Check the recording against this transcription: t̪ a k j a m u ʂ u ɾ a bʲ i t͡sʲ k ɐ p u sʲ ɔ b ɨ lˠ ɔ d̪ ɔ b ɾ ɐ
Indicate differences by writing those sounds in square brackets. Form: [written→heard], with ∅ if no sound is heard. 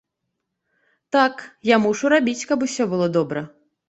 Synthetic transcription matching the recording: t̪ a k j a m u ʂ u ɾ a bʲ i t͡sʲ k ɐ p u sʲ ɔ b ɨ lˠ ɔ d̪ ɔ b ɾ ɐ